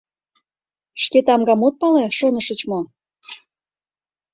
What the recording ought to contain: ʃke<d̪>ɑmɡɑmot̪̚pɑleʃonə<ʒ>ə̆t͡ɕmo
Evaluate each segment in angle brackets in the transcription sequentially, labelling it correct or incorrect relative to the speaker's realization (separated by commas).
incorrect, incorrect